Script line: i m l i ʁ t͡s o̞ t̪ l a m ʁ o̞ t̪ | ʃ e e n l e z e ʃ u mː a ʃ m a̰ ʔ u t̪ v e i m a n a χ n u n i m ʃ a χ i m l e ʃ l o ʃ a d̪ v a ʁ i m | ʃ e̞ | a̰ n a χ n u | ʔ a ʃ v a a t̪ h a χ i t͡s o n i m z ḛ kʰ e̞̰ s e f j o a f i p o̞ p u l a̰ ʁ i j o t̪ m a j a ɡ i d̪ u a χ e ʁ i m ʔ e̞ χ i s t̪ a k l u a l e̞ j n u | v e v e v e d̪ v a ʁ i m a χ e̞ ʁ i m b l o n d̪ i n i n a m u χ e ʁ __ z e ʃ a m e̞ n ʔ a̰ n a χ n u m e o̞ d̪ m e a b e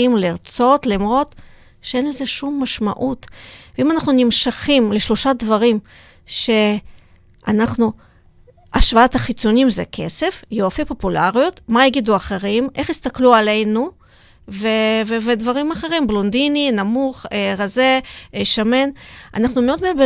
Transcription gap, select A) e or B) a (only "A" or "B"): B